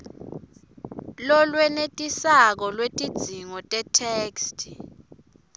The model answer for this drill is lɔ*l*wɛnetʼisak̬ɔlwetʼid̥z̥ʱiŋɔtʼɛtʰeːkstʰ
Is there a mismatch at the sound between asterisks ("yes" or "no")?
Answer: no